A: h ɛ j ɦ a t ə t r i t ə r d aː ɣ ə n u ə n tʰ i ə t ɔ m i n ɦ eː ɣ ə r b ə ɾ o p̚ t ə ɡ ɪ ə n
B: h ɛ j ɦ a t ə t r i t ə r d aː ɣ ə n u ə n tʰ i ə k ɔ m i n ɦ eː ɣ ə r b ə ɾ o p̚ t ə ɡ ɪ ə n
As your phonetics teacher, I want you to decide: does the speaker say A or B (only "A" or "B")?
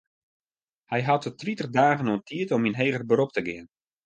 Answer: A